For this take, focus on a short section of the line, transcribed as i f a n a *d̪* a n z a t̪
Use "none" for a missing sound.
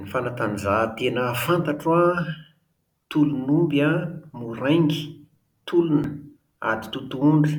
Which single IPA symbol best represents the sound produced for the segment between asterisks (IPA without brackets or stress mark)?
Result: t̪